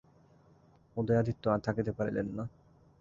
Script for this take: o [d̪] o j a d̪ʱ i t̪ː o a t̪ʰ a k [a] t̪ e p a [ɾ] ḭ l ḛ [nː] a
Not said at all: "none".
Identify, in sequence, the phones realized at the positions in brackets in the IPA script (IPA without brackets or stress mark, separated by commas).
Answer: d̪, i, ɾ, nː